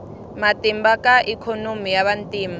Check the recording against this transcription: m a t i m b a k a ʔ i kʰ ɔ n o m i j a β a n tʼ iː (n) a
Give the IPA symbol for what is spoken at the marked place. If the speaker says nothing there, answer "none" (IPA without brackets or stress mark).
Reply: m